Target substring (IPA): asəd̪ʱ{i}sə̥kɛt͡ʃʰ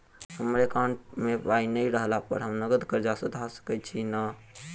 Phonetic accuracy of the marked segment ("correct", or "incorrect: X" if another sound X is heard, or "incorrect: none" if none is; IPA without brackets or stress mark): incorrect: a